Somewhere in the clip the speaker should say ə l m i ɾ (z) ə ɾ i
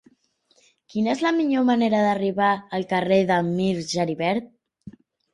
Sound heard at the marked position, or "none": ʒ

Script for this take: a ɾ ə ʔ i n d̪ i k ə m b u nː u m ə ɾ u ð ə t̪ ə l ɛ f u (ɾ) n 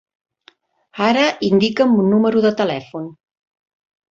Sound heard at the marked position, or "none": none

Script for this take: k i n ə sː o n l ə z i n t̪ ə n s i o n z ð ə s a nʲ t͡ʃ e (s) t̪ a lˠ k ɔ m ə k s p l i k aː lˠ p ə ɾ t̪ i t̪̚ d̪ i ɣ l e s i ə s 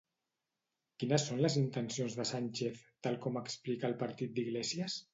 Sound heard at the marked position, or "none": θ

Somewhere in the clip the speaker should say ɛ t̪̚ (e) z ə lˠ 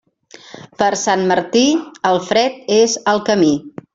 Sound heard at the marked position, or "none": e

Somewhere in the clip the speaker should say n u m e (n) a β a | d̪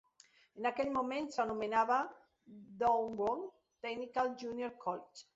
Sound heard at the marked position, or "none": n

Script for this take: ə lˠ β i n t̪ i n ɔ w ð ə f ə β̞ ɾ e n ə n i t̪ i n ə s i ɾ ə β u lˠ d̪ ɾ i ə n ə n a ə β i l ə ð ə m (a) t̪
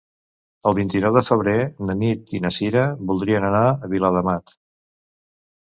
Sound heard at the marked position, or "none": a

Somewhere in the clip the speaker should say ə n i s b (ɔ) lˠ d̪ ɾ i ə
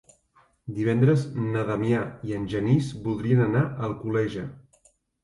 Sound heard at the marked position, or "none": u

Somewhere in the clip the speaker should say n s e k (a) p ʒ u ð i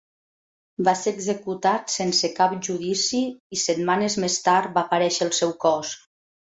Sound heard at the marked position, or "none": a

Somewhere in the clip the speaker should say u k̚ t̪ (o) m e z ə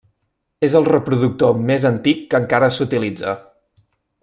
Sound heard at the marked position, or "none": o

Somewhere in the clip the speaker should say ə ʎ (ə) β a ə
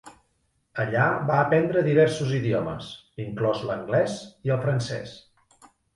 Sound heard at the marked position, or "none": a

